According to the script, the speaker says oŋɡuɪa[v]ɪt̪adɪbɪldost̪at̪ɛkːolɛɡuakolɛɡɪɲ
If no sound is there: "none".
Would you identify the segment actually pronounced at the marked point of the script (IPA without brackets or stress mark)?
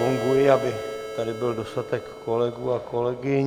b